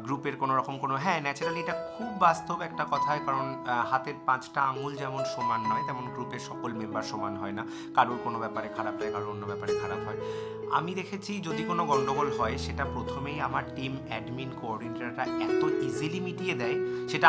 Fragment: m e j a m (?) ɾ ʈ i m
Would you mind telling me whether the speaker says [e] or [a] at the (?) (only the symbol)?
a